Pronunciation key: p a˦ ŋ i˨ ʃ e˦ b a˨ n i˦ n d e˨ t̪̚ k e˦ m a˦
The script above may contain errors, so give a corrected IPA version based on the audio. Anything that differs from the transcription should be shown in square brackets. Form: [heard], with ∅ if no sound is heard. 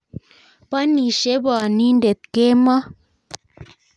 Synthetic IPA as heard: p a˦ [n] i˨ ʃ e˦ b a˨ n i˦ n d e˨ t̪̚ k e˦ m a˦